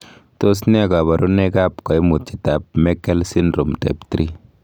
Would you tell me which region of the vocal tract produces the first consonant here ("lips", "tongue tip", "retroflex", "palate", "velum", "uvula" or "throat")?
tongue tip